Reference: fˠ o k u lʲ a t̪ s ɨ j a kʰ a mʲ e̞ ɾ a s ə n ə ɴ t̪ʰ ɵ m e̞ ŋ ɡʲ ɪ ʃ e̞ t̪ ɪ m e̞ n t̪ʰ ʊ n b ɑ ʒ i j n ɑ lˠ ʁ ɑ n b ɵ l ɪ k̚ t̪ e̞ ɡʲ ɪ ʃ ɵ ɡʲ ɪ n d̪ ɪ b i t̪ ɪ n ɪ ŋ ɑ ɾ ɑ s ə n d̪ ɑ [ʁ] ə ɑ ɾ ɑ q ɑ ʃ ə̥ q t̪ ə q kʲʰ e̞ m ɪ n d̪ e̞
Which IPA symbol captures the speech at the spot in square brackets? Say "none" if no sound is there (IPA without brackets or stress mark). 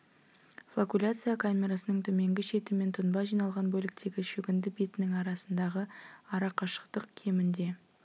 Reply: ʁ